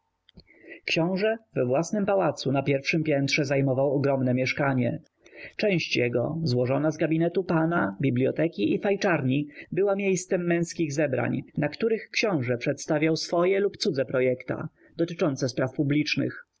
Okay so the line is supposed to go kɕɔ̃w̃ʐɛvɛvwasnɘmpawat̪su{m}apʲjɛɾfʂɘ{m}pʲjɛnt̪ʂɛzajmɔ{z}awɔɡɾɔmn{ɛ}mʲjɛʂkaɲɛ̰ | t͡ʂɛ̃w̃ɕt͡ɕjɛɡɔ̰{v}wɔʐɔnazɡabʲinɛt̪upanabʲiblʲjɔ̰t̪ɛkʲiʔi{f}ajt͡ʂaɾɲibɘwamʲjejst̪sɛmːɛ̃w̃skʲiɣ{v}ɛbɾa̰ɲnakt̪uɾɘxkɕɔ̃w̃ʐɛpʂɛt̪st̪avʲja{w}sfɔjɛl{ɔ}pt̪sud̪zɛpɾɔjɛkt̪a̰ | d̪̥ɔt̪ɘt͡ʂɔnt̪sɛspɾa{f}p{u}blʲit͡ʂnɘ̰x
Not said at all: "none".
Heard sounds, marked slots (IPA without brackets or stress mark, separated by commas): n, m, v, ɛ, z, f, z, w, u, f, u